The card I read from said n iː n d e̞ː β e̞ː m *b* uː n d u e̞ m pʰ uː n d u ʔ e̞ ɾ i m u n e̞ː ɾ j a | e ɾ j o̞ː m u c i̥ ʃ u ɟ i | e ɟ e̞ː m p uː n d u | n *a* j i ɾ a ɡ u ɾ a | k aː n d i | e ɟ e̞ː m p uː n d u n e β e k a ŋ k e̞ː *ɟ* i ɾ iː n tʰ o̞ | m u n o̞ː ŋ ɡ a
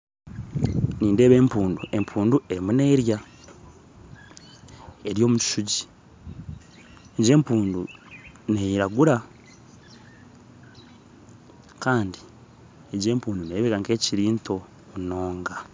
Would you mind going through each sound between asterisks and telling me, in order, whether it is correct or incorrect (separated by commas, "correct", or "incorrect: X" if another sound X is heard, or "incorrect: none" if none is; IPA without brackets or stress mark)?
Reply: incorrect: p, incorrect: e, incorrect: c